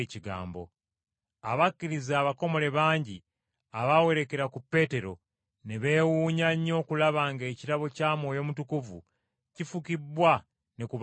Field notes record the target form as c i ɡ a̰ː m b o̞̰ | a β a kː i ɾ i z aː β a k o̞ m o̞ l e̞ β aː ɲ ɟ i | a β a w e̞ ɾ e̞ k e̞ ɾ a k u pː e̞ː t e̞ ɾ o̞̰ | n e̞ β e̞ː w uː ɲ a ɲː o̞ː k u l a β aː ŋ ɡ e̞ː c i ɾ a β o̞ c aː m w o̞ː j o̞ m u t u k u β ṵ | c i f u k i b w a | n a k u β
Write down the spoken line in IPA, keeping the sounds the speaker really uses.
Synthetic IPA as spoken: c i ɡ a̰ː m b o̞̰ | a β a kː i ɾ i z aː β a k o̞ m o̞ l e̞ β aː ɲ ɟ i | a β a w e̞ ɾ e̞ k e̞ ɾ a k u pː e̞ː t e̞ ɾ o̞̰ | n e̞ β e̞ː w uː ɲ a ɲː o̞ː k u l a β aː ŋ ɡ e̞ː c i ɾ a β o̞ c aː m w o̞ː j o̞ m u t u k u v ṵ | c i f u k i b w a | n e k u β

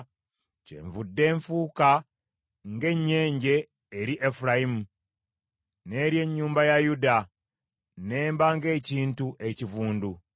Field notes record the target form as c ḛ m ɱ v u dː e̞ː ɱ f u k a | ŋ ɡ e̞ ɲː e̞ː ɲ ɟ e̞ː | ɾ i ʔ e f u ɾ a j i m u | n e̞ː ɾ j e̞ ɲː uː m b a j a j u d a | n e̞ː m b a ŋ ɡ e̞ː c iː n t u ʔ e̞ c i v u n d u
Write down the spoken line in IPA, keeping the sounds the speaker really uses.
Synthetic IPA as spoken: c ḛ ɱ v u dː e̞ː ɱ f u k a | ŋ ɡ e̞ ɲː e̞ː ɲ ɟ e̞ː | ɾ i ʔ e f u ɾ a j i m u | n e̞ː ɾ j e̞ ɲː uː m b a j a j u d a | n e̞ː m b a ŋ ɡ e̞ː c iː n t u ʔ e̞ c i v uː n d u

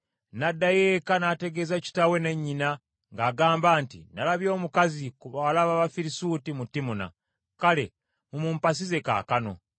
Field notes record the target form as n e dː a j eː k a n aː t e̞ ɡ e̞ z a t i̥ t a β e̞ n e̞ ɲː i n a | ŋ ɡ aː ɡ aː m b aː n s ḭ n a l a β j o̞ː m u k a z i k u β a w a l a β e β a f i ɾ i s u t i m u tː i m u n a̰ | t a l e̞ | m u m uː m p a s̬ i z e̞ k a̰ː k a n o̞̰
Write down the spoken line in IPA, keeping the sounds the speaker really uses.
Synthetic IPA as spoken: n a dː a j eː k a n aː t e̞ ɡ e̞ z a c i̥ t a w e̞ n e̞ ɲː i n a | ŋ ɡ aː ɡ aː m b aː n t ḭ n a l a β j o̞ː m u k a z i k u β a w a l a β a β a f i ɾ i s u t i m u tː i m u n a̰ | k a l e̞ | m u m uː m p a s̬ i z e̞ k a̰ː k a n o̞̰

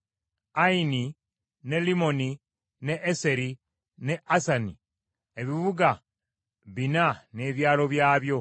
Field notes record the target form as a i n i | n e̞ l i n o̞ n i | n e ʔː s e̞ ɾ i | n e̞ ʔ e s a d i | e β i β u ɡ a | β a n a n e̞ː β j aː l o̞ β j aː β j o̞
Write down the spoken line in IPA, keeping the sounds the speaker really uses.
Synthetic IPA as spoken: a i n i | n e̞ l i m o̞ n i | n e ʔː s e̞ ɾ i | n e̞ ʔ a s a n i | e β i β u ɡ a | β i n a n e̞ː β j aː l o̞ β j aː β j o̞

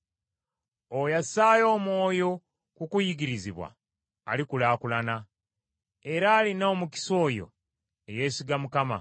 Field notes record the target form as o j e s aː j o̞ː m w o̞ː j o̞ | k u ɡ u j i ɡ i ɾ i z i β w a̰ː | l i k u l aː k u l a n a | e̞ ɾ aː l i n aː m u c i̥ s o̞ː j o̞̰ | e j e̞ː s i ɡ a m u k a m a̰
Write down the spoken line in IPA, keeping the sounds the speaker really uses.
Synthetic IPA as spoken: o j a s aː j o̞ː m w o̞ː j o̞ | k u k u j i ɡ i ɾ i z i β w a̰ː | l i k u l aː k u l a n a | e̞ ɾ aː l i n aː m u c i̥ s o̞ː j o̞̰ | e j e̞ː s i ɡ a m u k a m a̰

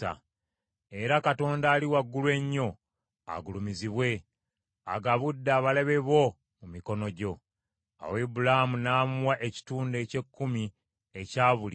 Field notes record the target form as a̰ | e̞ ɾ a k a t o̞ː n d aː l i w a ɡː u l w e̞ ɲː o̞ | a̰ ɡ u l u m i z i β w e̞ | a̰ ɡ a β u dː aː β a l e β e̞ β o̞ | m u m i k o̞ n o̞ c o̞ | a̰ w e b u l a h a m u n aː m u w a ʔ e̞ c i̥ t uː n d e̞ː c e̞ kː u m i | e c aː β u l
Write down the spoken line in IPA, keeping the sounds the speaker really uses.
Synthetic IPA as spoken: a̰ | e̞ ɾ a k a t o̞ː n d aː l i w a ɡː u l w e̞ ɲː o̞ | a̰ ɡ u l u m i z i β w e̞ | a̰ ɡ a β u dː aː β a l e β e̞ β o̞ | m u m i k o̞ n o̞ ɟ o̞ | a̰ w e b u l a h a m u n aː m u w a ʔ e̞ c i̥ t uː n d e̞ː c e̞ kː u m i | e c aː β u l

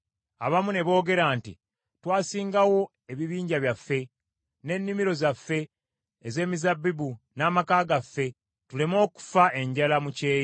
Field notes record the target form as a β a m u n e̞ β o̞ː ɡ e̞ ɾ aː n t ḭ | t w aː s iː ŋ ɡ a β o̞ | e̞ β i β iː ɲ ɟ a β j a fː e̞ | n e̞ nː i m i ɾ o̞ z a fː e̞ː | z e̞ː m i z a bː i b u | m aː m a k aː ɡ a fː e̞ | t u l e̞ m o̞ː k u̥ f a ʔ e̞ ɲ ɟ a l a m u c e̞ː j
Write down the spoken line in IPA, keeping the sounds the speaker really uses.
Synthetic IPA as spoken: a β a m u n e̞ β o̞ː ɡ e̞ ɾ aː n t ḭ | t w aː s iː ŋ ɡ a w o̞ | e̞ β i β iː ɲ ɟ a β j a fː e̞ | n e̞ nː i m i ɾ o̞ z a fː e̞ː | z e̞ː m i z a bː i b u | n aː m a k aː ɡ a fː e̞ | t u l e̞ m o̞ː k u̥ f a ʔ e̞ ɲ ɟ a l a m u c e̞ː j

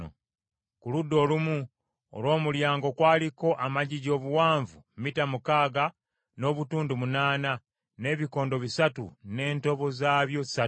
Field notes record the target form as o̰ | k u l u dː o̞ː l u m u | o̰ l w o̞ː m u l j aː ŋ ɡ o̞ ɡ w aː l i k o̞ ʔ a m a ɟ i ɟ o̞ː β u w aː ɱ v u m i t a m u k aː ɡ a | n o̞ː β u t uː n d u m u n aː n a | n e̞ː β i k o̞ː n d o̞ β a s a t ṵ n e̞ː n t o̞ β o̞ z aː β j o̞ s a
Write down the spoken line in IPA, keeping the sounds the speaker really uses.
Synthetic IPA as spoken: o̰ | k u l u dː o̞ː l u m u | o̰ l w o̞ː m u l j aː ŋ ɡ o̞ k w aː l i k o̞ ʔ a m a ɟ i ɟ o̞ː β u w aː ɱ v u m i t a m u k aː ɡ a | n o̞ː β u t uː n d u m u n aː n a | n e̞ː β i k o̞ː n d o̞ β i s a t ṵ n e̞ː n t o̞ β o̞ z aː β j o̞ s a

